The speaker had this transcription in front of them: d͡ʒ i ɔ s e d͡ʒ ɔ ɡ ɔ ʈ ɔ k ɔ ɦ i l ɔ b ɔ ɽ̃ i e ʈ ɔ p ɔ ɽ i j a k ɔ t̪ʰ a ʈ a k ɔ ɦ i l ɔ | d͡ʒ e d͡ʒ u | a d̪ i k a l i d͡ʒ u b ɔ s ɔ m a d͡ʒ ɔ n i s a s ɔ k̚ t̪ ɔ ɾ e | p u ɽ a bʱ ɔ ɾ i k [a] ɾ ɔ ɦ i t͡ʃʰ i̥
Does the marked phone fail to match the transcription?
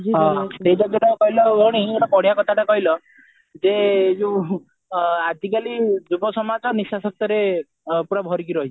yes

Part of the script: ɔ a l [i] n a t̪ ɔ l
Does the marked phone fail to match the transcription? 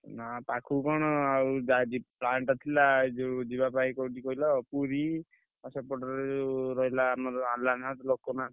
yes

